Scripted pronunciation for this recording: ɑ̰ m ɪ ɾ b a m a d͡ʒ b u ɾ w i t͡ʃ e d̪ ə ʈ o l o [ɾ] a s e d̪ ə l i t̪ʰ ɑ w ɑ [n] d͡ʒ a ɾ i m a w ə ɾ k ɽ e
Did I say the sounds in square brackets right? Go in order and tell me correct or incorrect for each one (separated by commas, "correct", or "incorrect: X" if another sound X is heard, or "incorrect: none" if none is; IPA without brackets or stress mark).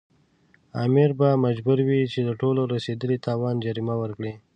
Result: correct, correct